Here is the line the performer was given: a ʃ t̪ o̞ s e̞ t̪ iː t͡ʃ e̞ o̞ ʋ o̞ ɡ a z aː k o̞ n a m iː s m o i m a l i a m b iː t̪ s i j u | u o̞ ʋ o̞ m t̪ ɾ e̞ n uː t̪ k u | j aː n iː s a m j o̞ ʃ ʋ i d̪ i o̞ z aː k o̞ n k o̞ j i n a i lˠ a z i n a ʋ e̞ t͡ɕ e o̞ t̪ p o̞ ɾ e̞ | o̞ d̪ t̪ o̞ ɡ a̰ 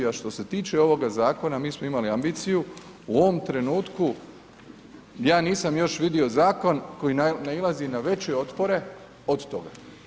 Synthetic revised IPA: a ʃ t̪ o̞ s e̞ t̪ iː t͡ʃ e̞ o̞ ʋ o̞ ɡ a z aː k o̞ n a m iː s m o i m a l i a m b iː t̪ s i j u | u o̞ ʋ o̞ m t̪ ɾ e̞ n uː t̪ k u | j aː n iː s a m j o̞ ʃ ʋ i d̪ i o̞ z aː k o̞ n k o̞ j i n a i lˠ a z i n a ʋ e̞ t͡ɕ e o̞ t̪ p o̞ ɾ e̞ | o̞ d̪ t̪ o̞ ɡ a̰